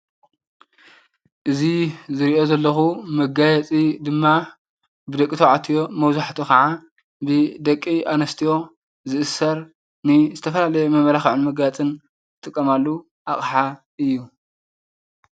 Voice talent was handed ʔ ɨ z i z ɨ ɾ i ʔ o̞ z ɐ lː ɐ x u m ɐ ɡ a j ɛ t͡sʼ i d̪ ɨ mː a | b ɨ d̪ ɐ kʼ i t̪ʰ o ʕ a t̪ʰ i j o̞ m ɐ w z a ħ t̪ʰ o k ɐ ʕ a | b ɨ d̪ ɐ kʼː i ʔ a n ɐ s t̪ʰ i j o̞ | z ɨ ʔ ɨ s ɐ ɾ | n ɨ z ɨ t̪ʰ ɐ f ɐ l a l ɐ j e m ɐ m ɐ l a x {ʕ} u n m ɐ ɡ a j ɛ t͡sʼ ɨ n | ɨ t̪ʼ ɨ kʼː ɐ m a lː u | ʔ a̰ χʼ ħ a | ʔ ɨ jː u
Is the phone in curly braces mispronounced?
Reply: no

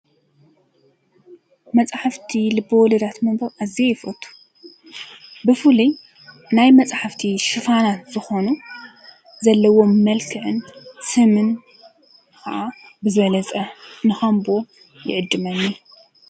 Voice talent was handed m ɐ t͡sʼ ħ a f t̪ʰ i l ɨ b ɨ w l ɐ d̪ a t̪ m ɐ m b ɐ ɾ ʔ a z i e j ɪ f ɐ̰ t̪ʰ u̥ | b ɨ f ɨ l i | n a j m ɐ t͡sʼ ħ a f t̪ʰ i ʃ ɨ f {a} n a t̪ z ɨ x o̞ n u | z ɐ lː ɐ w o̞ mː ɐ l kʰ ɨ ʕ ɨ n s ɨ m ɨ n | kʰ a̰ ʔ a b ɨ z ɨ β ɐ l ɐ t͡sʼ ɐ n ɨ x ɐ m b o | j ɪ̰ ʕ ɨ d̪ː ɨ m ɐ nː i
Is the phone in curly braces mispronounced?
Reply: no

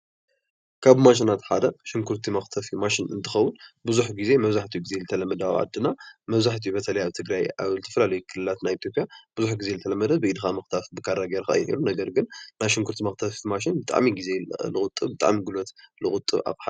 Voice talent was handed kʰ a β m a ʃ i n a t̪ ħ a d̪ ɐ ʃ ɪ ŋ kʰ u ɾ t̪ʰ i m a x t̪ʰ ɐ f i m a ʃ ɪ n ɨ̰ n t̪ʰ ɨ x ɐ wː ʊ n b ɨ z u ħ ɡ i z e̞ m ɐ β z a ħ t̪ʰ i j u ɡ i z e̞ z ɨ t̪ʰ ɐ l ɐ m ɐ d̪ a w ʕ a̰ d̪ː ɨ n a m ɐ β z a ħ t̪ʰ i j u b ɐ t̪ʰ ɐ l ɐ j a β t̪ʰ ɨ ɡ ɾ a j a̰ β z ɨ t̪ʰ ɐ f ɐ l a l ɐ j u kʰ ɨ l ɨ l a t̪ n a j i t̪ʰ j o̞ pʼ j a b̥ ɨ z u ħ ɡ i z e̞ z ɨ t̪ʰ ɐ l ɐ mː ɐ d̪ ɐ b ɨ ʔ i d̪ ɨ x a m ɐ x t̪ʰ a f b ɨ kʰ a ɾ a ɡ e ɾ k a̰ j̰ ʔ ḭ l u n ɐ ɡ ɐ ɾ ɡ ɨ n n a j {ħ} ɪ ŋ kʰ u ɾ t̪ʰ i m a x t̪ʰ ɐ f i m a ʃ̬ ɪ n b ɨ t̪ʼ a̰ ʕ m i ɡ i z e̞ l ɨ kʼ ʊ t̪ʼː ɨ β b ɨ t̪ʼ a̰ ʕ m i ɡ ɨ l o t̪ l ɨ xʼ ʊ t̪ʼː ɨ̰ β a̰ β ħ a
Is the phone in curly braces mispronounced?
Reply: yes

